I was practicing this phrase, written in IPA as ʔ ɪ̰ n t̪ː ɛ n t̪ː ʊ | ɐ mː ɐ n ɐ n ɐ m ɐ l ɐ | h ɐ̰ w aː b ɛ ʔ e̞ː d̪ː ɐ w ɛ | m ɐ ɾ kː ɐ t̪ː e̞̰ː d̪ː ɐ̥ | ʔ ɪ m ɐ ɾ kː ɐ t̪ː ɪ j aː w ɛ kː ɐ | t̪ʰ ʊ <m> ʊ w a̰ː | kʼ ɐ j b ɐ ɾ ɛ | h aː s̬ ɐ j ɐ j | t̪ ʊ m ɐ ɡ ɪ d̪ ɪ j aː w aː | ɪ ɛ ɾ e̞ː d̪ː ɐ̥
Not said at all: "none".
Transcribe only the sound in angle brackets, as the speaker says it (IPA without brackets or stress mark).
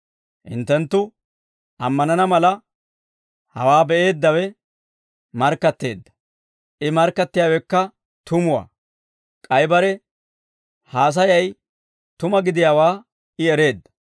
m